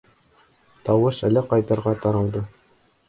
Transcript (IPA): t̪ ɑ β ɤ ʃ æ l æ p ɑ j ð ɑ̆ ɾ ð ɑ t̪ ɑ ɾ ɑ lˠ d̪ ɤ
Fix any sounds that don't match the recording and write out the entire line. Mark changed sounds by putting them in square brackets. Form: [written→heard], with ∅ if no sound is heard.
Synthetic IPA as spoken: t̪ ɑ [β→w] ɤ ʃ æ l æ [p→q] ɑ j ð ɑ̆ ɾ [ð→ʁ] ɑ t̪ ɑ ɾ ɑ lˠ d̪ ɤ